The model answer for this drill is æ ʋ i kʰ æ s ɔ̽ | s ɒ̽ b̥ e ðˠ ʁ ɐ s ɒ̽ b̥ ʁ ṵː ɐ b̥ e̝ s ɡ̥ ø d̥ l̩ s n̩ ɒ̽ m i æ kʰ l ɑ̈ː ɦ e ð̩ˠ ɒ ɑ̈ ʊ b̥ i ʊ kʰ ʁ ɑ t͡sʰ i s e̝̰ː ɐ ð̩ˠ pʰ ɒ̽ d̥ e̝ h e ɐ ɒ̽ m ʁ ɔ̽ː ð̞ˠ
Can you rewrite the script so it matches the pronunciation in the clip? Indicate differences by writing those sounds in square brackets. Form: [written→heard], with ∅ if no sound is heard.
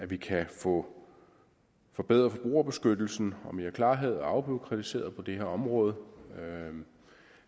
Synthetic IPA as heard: æ ʋ i kʰ æ [s→f] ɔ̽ | [s→f] ɒ̽ b̥ e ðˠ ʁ ɐ [s→f] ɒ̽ b̥ ʁ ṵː ɐ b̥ e̝ s ɡ̥ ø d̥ l̩ s n̩ ɒ̽ m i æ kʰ l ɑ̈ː ɦ e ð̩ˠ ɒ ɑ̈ ʊ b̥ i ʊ kʰ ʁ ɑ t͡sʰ i s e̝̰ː ɐ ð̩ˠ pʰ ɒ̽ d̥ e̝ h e ɐ ɒ̽ m ʁ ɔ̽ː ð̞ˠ

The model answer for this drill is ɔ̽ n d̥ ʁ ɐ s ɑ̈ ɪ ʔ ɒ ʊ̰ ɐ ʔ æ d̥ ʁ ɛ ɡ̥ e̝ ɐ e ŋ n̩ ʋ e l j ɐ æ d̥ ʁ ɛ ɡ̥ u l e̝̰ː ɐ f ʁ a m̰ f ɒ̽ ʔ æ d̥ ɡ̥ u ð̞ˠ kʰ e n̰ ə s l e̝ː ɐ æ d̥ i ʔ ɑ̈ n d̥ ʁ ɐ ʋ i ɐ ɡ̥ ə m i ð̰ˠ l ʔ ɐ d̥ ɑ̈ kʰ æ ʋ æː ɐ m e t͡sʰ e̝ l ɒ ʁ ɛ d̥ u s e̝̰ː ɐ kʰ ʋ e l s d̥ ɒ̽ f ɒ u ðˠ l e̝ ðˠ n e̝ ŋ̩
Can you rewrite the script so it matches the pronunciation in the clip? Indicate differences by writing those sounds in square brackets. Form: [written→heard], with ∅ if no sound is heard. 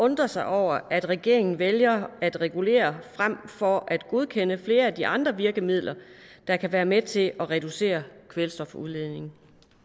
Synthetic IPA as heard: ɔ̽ n d̥ ʁ ɐ s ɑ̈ ɪ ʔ ɒ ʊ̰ ɐ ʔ æ d̥ ʁ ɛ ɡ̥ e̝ ɐ e ŋ n̩ ʋ e l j ɐ æ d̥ ʁ ɛ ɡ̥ u l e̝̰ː ɐ f ʁ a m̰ f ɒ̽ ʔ æ d̥ ɡ̥ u ð̞ˠ kʰ e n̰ ə [s→f] l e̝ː ɐ æ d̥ i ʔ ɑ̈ n d̥ ʁ ɐ ʋ i ɐ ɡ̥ ə m i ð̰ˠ l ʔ ɐ d̥ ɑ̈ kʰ æ ʋ æː ɐ m e t͡sʰ e̝ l ɒ ʁ ɛ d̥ u s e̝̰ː ɐ kʰ ʋ e l s d̥ ɒ̽ f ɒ u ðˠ l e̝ ðˠ n e̝ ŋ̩

